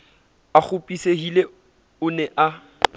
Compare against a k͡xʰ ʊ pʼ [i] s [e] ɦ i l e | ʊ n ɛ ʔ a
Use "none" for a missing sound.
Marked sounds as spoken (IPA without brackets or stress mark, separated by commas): i, e